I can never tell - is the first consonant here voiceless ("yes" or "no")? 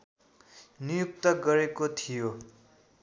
no